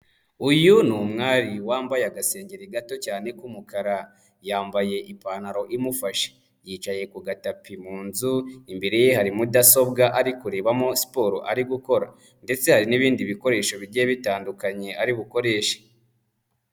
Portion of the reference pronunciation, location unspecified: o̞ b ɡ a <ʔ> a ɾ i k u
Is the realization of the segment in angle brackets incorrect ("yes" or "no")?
no